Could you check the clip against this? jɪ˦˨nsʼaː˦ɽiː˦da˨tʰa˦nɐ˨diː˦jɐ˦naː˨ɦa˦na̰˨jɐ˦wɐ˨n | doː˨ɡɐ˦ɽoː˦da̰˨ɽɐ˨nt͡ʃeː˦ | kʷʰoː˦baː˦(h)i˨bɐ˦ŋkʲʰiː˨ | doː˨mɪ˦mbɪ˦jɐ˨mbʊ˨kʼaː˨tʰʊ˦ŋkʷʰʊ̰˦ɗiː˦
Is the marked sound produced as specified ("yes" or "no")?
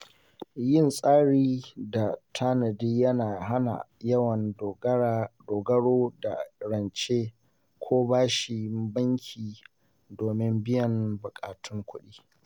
no